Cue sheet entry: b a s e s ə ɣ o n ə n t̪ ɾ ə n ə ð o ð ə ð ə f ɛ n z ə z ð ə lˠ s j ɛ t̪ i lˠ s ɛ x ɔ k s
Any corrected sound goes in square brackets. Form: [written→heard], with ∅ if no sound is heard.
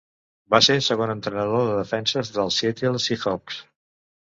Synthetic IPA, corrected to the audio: b a s e s ə ɣ o n ə n t̪ ɾ ə n ə ð o ð ə ð ə f ɛ n [z→s] ə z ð ə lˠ s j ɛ t̪ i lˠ s [ɛ→i] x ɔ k s